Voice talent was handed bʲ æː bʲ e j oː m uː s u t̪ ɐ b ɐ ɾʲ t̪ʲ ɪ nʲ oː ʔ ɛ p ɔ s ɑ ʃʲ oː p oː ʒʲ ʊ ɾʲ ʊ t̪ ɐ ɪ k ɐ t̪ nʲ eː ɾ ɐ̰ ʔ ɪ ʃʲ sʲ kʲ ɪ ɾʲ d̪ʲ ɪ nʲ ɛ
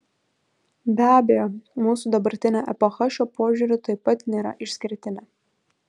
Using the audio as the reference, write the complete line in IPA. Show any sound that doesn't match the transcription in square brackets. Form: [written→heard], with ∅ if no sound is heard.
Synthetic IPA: bʲ æː bʲ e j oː m uː s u [t̪→d̪] ɐ b ɐ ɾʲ t̪ʲ ɪ nʲ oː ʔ ɛ p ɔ [s→x] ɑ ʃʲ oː p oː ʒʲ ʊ ɾʲ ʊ t̪ ɐ ɪ [k→p] ɐ t̪ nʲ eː ɾ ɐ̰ ʔ ɪ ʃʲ sʲ kʲ ɪ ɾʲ [d̪ʲ→t̪ʲ] ɪ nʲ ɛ